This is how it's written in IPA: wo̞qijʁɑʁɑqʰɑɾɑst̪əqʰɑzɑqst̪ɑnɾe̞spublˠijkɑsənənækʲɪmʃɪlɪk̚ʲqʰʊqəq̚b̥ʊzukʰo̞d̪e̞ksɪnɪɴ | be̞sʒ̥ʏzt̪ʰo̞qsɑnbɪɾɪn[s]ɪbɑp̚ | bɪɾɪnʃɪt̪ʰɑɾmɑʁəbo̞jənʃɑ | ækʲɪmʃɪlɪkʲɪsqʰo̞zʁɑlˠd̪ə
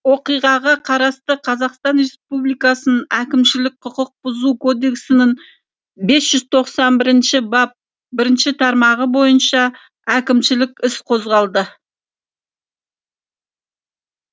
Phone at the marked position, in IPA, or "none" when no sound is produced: ʃ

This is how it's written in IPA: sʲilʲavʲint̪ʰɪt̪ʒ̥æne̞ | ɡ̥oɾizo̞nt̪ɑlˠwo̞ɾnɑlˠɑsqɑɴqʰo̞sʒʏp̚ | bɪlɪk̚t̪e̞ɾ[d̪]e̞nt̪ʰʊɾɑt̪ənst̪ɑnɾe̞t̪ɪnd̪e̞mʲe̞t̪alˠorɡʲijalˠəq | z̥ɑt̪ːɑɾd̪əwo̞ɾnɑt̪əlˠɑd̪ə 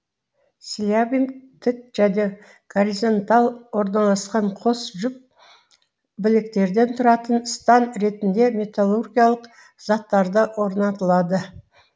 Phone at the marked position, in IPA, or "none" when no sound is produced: d̪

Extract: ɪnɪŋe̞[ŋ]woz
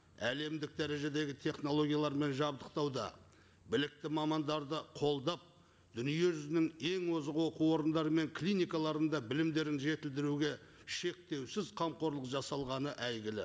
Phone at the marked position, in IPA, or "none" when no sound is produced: ŋ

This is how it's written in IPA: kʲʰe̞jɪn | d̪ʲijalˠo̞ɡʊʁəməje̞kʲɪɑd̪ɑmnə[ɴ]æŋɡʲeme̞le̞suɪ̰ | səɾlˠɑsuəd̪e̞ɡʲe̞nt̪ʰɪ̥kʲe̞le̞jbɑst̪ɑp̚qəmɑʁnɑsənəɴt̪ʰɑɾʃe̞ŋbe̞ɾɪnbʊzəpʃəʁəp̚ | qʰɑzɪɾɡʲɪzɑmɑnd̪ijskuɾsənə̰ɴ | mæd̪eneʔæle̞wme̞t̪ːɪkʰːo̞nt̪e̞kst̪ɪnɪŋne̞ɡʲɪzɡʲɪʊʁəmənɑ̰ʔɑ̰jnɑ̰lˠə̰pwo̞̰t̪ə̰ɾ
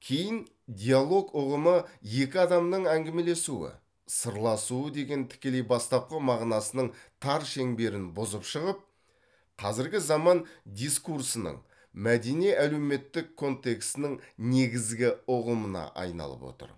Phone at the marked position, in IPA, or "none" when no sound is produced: ɴ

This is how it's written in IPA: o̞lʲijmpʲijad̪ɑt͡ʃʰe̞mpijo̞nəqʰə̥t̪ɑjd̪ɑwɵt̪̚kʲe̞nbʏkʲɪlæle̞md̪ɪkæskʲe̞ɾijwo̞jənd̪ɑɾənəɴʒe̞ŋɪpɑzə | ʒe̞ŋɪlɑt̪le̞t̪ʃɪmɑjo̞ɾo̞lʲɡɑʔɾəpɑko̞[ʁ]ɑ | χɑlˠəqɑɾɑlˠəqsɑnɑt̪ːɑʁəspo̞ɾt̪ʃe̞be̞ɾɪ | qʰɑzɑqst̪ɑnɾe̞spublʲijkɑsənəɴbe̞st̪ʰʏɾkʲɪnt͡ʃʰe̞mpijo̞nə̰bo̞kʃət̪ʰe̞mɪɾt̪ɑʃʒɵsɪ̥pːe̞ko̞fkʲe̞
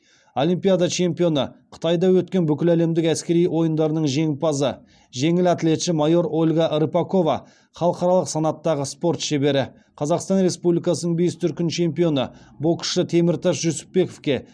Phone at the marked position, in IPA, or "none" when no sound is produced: v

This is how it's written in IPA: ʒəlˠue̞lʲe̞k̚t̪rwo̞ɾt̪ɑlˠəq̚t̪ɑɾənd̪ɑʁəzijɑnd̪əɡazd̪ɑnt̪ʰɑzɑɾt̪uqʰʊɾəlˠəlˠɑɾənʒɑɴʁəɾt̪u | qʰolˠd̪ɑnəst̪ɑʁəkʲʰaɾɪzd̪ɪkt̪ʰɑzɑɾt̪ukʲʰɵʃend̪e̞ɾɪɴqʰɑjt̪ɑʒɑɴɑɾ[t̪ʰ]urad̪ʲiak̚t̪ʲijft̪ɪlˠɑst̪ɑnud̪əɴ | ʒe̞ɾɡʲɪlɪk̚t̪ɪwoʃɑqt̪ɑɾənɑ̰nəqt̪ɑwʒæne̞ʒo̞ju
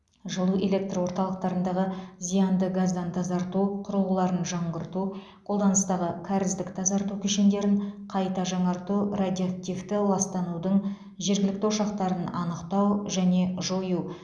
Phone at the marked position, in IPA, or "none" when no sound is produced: t̪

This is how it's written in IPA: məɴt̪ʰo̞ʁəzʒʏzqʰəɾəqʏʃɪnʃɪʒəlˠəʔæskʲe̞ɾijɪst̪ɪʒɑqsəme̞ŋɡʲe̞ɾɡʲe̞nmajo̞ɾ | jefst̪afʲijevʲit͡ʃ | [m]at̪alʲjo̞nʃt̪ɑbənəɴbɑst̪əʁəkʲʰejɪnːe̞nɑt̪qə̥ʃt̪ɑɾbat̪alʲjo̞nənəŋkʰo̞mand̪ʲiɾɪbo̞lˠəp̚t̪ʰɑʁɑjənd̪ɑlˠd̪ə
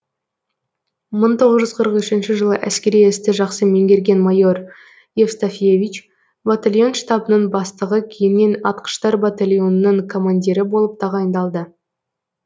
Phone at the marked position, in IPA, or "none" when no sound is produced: b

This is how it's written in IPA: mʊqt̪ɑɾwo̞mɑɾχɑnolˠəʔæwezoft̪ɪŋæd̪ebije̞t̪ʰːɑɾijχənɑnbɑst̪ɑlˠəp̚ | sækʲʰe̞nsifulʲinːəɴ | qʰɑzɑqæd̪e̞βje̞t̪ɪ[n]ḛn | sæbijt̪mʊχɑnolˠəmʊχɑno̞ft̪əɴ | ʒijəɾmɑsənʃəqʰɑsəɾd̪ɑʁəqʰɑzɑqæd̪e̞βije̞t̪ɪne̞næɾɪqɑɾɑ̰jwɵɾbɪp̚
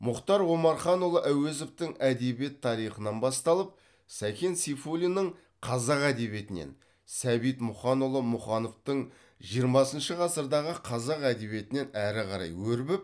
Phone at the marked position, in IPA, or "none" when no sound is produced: n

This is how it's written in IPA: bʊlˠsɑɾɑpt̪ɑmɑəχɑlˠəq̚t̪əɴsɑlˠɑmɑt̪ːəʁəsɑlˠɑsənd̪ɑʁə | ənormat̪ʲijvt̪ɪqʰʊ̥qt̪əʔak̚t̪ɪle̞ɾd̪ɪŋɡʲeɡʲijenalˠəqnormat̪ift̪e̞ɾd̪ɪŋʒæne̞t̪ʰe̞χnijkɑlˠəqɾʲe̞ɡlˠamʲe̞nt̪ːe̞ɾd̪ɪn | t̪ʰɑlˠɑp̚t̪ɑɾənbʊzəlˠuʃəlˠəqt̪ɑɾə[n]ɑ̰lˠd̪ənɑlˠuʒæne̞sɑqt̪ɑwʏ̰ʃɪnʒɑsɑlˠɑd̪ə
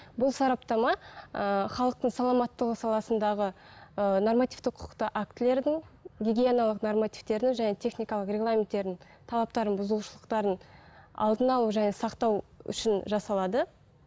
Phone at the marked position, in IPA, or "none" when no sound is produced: n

